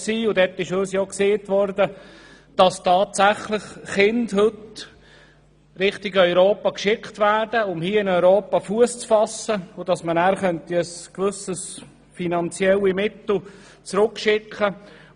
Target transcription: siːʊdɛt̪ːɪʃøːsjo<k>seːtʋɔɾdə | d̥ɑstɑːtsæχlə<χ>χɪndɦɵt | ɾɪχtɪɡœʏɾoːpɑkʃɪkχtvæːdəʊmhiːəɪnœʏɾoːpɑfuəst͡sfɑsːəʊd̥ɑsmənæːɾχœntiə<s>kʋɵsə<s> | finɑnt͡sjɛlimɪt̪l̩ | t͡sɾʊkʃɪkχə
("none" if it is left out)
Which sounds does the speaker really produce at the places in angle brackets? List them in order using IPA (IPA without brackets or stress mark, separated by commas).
k, χ, s, s